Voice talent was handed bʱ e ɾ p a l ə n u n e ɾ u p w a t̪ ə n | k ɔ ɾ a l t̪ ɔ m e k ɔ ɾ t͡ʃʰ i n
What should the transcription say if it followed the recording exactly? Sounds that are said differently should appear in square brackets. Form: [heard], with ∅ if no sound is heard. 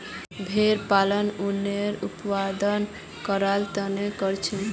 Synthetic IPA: bʱ e ɾ p a l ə n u n e ɾ u p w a [d̪] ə n | k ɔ ɾ a l t̪ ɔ [n] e k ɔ ɾ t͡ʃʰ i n

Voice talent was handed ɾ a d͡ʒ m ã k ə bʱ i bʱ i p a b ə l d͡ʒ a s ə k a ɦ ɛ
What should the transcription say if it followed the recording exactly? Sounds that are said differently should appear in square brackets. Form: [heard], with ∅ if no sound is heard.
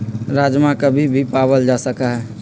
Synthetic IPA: ɾ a d͡ʒ m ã k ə bʱ i bʱ i p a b ə l d͡ʒ a s ə k a ɦ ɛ

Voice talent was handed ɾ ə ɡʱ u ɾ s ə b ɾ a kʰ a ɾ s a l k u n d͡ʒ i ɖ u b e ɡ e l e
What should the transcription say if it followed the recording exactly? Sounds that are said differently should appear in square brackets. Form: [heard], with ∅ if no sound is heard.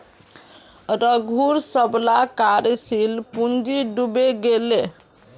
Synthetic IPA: ɾ ə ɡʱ u ɾ s ə b [l] a [k] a ɾ s [i] l [p] u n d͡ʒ i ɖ u b e ɡ e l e

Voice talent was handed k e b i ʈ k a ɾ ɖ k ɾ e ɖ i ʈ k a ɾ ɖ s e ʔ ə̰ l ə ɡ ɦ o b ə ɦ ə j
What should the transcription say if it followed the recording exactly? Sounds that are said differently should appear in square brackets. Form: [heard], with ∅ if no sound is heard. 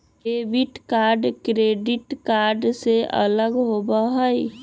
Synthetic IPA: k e b i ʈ k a ɾ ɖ k ɾ e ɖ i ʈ k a ɾ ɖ s e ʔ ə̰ l ə ɡ ɦ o b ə ɦ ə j

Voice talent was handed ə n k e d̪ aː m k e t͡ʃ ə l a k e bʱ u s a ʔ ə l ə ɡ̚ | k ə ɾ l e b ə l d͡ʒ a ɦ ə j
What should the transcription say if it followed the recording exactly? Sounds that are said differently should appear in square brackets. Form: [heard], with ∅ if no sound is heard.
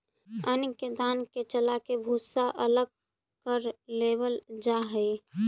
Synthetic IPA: ə n k e d̪ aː [n] k e t͡ʃ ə l a k e bʱ u s a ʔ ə l ə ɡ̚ | k ə ɾ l e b ə l d͡ʒ a ɦ ə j

